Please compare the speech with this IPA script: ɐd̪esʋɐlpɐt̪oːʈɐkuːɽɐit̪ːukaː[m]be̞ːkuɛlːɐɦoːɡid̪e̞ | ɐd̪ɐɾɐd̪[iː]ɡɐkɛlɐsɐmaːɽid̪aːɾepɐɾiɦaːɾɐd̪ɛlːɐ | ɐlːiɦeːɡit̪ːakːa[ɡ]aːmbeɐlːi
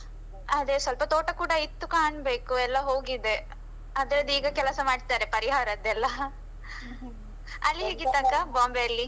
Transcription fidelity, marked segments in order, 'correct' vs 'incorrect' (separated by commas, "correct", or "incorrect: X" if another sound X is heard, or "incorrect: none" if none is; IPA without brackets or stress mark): incorrect: ɳ, correct, incorrect: b